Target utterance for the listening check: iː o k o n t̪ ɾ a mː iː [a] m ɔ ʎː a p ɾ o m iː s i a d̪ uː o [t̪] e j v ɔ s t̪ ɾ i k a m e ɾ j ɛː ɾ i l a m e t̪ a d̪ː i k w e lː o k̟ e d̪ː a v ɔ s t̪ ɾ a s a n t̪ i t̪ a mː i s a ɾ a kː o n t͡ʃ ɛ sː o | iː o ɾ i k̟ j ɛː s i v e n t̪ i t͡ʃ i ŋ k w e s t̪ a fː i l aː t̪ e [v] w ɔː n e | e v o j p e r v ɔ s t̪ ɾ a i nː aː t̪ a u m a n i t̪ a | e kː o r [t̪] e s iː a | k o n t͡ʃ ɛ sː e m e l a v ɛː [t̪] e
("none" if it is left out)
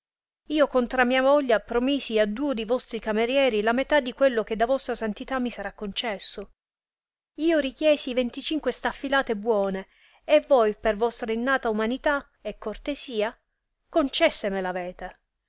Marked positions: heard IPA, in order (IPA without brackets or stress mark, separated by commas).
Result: a, d̪, b, t̪, t̪